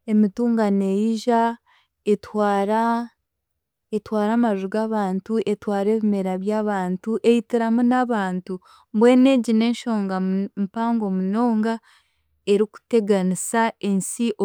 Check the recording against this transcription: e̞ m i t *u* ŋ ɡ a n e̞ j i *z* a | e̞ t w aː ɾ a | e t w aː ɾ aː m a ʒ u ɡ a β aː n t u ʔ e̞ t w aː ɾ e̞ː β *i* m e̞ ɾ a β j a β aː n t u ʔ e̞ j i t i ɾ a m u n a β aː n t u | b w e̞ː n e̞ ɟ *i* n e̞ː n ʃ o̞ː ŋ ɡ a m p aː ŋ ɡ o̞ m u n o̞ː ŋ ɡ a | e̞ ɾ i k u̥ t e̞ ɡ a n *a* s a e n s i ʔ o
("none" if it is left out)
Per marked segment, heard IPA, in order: uː, ʒ, i, i, i

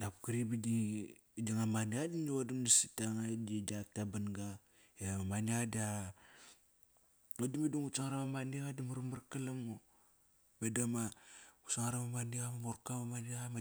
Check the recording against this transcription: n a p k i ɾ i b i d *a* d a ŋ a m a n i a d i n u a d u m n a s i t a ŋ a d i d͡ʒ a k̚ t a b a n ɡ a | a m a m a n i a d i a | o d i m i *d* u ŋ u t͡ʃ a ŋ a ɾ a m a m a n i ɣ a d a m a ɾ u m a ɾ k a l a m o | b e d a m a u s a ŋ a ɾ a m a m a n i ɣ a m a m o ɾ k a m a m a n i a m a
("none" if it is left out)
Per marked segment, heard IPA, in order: i, d

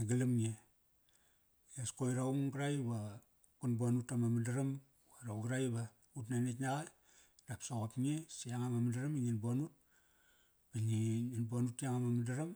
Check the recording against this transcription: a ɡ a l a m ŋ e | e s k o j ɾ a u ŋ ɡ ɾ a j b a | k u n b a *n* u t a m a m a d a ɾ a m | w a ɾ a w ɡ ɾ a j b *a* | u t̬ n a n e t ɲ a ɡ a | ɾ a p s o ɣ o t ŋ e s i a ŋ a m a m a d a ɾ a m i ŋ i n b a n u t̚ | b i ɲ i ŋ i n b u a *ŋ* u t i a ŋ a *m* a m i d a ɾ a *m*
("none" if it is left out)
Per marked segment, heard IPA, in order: n, a, n, m, m

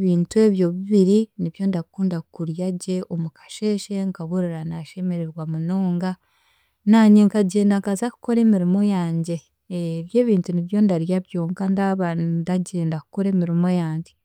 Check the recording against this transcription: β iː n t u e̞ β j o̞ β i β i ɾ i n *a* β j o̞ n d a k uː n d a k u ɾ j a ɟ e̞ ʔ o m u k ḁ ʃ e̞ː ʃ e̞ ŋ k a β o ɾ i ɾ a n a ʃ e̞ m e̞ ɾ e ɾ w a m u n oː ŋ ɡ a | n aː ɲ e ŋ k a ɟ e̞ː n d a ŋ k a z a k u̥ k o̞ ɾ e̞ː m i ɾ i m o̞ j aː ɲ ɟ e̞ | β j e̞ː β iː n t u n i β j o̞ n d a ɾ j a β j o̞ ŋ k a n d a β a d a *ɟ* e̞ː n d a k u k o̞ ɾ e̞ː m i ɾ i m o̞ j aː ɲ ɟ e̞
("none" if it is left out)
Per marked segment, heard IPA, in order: i, ɟ

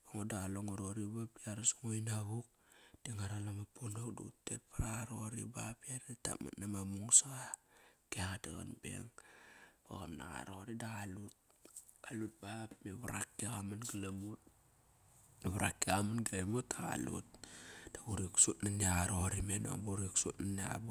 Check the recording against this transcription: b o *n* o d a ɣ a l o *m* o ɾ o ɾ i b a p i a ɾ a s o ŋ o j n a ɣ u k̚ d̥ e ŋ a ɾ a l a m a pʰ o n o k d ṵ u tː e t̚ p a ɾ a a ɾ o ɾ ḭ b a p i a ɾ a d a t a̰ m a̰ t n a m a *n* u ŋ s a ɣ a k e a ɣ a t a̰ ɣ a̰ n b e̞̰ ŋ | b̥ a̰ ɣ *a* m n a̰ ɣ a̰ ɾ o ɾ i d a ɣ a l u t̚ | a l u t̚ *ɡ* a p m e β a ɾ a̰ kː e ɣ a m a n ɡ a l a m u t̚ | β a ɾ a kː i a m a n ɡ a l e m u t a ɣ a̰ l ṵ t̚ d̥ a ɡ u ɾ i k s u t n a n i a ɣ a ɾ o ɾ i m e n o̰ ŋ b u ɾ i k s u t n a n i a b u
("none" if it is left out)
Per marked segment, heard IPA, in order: ŋ, ŋ, m, a, b

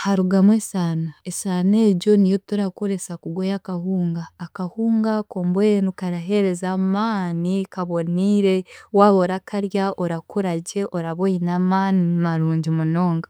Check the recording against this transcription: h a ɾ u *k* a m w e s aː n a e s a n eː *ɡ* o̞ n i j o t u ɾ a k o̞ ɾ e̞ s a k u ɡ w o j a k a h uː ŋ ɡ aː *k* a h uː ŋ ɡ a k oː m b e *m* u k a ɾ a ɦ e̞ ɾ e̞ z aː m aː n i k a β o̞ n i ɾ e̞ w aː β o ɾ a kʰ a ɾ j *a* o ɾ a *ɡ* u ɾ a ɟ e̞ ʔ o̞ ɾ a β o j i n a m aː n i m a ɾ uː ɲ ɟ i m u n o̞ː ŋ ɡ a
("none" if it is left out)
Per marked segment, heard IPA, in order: ɡ, ɟ, k, n, a, k

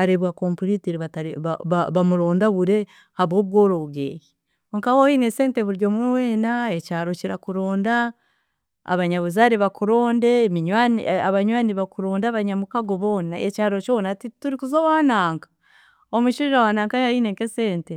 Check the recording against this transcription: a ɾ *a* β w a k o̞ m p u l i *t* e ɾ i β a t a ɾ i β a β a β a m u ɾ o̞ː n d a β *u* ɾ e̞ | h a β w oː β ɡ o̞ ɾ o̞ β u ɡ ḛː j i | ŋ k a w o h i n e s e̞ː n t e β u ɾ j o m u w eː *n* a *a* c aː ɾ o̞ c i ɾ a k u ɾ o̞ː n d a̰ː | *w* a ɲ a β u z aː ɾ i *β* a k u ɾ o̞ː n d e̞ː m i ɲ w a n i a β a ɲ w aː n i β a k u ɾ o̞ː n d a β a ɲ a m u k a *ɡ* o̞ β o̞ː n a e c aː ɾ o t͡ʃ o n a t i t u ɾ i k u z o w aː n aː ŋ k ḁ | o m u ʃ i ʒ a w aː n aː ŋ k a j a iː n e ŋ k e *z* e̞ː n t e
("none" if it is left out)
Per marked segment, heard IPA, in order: e, t, u, n, e, β, β, ɡ, s

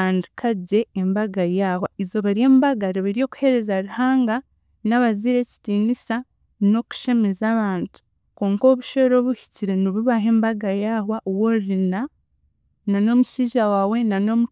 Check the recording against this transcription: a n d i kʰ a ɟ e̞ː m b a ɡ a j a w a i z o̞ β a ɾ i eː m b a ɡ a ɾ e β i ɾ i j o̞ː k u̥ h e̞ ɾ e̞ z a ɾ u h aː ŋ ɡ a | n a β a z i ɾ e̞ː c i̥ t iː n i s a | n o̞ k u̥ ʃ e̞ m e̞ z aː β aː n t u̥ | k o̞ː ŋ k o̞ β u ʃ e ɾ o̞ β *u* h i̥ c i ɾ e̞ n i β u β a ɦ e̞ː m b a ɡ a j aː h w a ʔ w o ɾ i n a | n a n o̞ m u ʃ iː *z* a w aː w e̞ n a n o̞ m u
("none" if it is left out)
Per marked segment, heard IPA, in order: u, ʒ

